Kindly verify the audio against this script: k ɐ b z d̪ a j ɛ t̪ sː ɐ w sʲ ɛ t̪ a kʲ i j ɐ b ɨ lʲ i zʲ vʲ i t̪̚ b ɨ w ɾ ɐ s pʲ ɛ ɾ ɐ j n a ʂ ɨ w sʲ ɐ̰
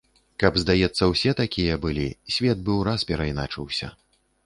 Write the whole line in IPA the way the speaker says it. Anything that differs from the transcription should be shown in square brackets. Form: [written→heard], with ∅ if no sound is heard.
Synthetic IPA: k ɐ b z d̪ a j ɛ t̪ sː ɐ w sʲ ɛ t̪ a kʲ i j ɐ b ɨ lʲ i [zʲ→sʲ] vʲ [i→ɛ] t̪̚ b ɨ w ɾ [ɐ→a] s pʲ ɛ ɾ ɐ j n a [ʂ→t͡ʂ] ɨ w sʲ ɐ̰